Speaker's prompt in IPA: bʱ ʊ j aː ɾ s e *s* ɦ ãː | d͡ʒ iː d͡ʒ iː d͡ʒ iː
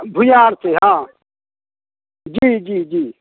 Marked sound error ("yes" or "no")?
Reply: yes